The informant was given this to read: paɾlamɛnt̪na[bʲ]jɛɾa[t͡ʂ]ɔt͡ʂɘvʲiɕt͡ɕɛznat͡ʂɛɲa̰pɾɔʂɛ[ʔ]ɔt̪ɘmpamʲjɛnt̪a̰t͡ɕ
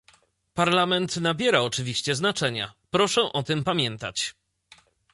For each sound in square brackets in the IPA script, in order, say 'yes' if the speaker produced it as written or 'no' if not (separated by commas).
yes, no, yes